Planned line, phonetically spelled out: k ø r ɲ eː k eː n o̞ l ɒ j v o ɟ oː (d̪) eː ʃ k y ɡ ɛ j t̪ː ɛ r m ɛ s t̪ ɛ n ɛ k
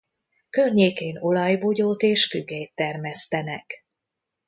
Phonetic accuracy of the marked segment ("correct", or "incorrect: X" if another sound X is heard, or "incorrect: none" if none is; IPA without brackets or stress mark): incorrect: t̪